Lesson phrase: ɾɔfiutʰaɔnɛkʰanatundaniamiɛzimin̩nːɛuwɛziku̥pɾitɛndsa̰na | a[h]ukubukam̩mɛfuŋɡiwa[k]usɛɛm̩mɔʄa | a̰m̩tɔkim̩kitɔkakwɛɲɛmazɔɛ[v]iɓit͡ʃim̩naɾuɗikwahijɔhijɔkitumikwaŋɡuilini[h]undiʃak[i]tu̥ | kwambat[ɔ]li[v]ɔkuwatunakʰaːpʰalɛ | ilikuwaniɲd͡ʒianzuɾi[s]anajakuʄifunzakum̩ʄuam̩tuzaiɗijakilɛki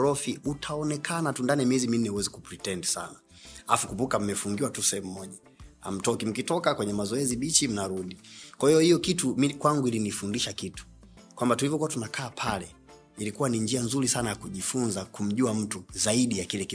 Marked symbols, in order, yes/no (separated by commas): no, no, no, no, yes, no, yes, yes